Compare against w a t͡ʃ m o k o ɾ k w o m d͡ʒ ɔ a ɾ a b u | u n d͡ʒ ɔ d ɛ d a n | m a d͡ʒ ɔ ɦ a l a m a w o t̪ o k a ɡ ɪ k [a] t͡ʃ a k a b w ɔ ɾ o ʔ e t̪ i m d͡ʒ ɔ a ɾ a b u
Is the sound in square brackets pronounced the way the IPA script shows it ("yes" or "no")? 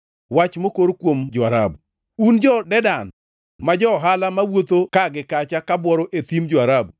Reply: yes